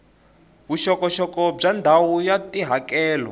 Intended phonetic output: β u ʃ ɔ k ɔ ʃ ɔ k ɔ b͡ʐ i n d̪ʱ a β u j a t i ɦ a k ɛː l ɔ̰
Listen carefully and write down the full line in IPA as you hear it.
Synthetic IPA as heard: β u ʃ ɔ k ɔ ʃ ɔ k ɔ b͡ʐ a n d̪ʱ a w u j a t i ɦ a k ɛː l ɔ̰